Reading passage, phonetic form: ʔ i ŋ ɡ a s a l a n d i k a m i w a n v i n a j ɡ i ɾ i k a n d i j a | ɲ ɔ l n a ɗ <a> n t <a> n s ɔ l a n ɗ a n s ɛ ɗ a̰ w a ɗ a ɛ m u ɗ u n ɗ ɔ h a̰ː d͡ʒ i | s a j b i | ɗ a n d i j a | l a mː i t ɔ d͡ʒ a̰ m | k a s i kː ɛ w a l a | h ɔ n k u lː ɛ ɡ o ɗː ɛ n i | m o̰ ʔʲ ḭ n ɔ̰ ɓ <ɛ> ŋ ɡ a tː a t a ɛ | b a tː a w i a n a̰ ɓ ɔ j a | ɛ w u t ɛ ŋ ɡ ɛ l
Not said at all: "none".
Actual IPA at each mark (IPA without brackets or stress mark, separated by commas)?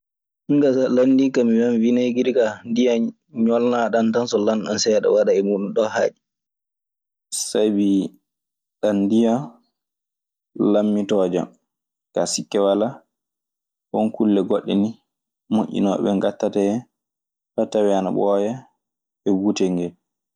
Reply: a, a, ɛ